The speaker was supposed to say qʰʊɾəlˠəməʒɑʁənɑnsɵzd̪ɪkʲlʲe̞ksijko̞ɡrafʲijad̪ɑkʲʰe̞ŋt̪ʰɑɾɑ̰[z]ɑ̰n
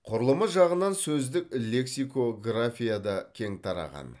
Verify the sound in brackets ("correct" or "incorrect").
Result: incorrect